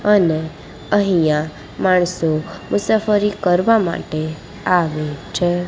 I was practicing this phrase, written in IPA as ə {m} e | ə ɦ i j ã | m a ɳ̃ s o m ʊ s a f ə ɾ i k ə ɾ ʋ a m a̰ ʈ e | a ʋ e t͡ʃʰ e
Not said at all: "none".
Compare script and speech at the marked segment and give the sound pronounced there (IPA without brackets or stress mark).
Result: n